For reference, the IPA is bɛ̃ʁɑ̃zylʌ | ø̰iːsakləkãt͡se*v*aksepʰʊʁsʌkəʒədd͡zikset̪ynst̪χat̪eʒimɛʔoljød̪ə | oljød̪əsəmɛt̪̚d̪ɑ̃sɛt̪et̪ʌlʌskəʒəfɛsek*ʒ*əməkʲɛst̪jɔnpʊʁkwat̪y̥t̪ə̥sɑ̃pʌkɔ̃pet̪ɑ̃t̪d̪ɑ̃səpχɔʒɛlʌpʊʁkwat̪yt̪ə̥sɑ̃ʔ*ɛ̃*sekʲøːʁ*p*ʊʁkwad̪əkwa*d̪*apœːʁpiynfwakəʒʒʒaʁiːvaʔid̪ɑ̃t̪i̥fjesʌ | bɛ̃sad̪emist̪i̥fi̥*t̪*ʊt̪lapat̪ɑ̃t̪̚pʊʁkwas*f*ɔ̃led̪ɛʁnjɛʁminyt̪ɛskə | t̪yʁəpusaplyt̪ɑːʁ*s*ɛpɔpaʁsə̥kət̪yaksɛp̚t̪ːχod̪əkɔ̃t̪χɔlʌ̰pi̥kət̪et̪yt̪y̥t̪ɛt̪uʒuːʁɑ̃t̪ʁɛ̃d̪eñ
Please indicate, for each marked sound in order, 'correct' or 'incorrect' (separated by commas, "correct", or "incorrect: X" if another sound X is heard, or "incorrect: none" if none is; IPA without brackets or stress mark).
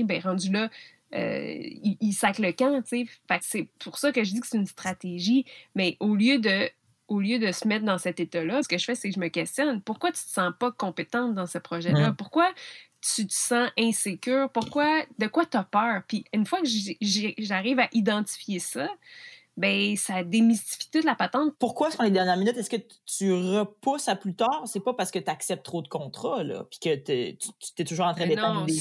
incorrect: f, correct, correct, correct, incorrect: t̪, correct, correct, correct